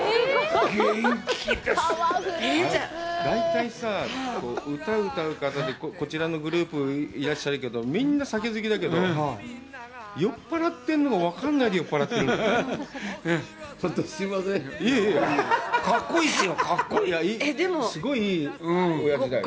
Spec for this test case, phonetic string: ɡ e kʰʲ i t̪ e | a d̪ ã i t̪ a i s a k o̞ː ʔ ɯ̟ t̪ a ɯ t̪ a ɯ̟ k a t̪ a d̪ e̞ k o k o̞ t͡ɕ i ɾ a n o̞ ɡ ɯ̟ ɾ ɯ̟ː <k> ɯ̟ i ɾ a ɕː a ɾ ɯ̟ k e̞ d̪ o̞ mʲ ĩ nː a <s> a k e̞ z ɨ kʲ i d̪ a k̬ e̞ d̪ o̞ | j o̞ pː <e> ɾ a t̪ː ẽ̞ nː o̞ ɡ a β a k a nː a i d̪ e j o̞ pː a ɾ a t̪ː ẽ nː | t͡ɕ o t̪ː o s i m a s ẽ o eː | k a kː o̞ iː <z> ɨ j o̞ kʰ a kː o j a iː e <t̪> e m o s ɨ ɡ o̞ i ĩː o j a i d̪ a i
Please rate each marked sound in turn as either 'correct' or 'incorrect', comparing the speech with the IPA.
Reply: incorrect: p, correct, incorrect: a, incorrect: s, incorrect: d̪

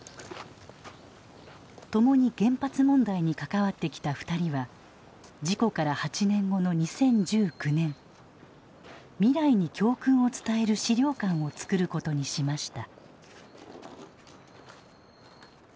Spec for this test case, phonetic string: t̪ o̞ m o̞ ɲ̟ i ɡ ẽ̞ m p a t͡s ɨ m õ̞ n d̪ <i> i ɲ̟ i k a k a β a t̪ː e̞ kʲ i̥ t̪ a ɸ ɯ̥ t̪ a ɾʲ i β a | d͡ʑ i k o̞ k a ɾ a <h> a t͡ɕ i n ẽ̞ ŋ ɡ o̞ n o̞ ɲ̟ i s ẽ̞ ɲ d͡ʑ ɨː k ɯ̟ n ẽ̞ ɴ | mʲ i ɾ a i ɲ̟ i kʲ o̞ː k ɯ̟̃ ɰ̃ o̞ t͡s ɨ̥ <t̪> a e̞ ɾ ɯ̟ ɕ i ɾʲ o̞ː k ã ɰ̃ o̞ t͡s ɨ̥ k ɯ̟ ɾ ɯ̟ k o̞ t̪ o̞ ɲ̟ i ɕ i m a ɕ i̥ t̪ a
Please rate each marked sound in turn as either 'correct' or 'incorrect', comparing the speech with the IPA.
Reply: incorrect: a, correct, correct

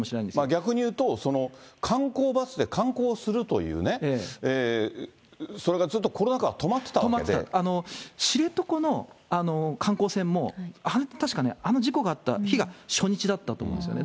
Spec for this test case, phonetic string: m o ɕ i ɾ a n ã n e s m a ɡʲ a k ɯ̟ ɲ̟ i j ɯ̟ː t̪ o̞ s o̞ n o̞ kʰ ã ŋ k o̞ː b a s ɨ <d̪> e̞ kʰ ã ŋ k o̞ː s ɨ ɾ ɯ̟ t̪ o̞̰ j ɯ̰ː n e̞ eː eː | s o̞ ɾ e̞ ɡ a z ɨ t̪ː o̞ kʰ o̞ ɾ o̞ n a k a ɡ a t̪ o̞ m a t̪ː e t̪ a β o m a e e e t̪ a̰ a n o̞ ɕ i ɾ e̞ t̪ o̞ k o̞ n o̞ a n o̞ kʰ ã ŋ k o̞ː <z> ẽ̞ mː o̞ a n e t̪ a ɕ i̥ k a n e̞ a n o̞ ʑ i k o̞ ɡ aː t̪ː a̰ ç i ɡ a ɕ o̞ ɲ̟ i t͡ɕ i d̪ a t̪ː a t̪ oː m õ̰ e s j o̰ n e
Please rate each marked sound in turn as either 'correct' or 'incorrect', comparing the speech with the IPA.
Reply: correct, incorrect: s

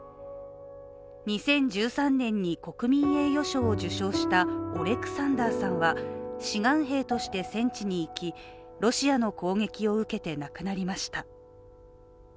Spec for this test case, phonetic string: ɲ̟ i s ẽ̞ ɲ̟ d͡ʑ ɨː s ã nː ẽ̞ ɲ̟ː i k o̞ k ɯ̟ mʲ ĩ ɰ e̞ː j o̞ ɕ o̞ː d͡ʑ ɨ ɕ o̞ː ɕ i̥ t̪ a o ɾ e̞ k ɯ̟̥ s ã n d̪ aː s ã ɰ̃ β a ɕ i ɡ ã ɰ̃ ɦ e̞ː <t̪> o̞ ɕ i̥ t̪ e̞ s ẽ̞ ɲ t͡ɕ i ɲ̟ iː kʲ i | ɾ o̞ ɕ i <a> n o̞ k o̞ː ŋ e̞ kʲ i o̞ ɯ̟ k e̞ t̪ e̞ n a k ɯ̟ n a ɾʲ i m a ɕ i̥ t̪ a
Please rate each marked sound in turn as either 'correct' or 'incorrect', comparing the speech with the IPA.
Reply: correct, correct

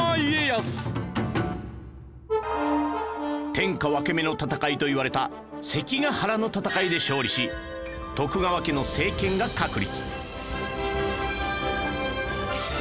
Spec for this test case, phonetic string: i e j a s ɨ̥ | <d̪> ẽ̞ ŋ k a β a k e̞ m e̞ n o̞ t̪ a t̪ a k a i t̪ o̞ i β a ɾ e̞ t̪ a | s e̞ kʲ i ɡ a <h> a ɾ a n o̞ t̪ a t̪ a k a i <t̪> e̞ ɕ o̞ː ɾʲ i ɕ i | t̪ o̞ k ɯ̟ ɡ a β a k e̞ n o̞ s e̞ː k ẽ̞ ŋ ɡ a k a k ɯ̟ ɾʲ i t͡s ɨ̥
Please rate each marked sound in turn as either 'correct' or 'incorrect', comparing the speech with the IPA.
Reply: incorrect: t̪, correct, incorrect: d̪

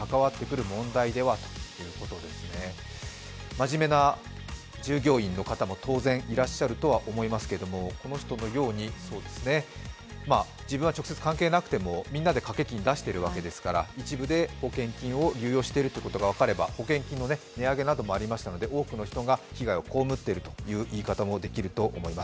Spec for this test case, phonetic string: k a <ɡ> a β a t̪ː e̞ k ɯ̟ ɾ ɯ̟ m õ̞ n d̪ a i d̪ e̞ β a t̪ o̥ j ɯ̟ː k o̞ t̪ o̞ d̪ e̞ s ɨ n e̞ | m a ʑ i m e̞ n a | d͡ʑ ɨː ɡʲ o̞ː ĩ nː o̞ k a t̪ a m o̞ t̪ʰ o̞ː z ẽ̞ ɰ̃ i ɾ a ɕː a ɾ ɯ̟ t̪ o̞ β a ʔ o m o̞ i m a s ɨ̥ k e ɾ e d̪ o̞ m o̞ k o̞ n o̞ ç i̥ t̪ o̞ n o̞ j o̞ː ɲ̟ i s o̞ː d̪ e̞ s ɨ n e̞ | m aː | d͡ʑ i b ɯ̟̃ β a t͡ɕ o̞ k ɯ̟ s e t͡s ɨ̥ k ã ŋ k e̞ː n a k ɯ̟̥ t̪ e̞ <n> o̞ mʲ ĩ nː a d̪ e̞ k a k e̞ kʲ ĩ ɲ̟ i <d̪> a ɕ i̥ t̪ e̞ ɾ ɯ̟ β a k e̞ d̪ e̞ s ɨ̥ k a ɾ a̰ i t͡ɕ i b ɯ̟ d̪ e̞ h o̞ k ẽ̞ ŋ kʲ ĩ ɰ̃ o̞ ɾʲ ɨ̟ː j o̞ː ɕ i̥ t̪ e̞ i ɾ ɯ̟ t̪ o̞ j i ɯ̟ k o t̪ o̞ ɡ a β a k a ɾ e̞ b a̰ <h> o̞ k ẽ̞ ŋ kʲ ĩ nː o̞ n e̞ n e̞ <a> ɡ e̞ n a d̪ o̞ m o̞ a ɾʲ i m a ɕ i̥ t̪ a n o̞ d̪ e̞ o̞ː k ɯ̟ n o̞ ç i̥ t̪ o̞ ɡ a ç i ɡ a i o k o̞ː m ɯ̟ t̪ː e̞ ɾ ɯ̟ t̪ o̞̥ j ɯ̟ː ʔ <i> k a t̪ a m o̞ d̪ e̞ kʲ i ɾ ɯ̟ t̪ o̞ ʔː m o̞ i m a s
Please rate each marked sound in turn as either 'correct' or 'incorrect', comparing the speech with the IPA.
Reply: incorrect: k, incorrect: m, correct, correct, correct, incorrect: iː

